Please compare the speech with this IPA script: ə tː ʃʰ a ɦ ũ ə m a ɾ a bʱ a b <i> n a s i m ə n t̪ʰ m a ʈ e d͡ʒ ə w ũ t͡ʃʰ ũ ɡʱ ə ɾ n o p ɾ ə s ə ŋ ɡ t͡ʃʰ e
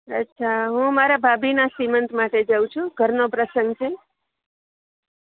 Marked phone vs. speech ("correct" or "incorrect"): correct